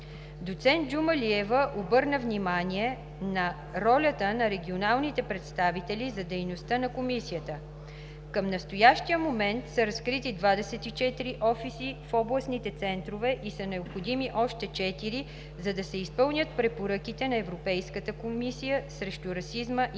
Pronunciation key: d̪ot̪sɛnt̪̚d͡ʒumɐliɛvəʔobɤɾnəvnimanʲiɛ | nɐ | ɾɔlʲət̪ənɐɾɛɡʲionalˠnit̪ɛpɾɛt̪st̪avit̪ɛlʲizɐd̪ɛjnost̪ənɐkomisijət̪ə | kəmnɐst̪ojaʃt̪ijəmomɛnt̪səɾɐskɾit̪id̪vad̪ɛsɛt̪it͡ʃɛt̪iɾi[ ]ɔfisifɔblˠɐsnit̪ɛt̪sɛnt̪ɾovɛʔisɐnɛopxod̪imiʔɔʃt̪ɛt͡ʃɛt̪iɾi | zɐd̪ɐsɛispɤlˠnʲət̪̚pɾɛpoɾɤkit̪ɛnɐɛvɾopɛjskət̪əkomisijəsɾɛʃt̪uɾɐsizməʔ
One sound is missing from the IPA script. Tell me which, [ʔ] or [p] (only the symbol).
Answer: ʔ